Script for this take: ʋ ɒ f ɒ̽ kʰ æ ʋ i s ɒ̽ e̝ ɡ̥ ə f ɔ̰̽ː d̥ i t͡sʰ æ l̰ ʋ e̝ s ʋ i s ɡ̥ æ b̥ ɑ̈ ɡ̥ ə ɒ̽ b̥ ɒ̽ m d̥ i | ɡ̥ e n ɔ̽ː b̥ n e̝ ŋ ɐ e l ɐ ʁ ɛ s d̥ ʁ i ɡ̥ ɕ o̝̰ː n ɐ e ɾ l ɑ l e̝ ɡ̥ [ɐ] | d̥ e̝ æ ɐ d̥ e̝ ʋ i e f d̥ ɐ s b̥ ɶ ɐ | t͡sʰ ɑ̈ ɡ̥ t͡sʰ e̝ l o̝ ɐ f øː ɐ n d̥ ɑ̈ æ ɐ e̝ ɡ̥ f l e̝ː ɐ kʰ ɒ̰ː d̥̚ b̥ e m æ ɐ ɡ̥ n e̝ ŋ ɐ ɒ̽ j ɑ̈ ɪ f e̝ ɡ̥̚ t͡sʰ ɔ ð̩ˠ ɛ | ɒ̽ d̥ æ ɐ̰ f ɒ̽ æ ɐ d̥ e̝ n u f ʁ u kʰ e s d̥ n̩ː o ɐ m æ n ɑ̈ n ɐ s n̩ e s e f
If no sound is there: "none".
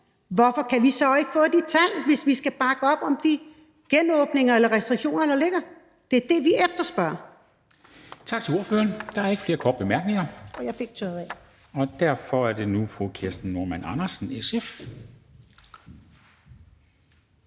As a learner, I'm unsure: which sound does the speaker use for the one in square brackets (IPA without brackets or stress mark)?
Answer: ɐ